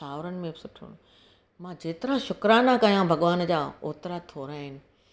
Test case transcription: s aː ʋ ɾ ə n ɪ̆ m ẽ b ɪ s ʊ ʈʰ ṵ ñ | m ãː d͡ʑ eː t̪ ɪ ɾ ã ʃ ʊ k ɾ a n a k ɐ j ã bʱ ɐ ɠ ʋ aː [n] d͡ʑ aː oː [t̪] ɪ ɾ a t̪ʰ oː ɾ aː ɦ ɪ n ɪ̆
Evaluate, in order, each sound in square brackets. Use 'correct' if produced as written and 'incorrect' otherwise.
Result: correct, correct

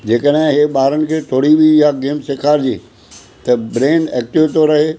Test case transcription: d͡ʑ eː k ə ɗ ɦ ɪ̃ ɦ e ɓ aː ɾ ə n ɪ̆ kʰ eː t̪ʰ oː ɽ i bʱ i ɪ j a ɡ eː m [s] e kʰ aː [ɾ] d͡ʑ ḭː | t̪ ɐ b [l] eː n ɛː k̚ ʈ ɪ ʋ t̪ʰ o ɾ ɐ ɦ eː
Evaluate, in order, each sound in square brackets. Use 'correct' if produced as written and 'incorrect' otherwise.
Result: correct, correct, incorrect

